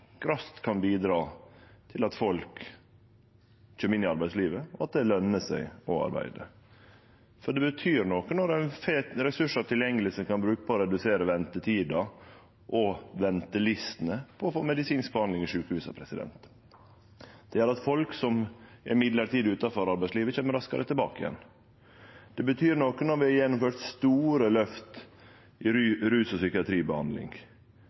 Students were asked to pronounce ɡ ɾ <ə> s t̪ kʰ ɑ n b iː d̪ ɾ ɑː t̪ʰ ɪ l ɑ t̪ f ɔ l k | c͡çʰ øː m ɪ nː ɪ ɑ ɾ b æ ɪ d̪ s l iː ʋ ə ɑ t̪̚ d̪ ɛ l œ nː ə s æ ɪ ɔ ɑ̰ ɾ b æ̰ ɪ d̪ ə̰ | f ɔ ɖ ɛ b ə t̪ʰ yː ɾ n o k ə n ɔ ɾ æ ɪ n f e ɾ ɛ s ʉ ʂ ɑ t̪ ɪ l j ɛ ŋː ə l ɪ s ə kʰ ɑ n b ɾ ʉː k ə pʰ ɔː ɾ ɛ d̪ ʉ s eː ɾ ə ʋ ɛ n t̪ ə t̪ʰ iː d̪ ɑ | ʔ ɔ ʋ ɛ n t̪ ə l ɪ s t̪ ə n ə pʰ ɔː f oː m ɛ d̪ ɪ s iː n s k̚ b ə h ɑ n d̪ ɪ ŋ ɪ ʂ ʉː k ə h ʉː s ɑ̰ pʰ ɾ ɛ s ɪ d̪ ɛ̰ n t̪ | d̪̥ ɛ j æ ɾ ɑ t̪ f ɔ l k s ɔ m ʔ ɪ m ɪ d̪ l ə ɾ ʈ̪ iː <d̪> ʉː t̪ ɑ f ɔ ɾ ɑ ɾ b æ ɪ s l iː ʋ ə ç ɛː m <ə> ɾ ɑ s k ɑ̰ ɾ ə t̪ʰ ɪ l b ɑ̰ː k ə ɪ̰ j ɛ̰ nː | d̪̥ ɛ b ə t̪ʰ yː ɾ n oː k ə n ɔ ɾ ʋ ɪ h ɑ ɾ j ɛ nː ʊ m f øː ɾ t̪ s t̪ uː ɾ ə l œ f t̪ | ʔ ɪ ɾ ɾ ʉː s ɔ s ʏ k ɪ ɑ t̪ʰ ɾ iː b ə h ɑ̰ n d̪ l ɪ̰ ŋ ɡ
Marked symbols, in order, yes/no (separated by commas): no, yes, yes